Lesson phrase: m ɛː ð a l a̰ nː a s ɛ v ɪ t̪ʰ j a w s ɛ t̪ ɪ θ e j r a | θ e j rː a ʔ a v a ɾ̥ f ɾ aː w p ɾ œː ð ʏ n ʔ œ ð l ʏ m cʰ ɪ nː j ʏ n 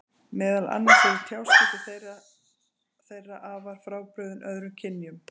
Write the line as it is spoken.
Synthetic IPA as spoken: m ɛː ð a l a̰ nː a s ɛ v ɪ t̪ʰ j a w s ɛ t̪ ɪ θ e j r a | θ e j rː a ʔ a v a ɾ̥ f ɾ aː w p ɾ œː ð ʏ n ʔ œ ð ɾ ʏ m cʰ ɪ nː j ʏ m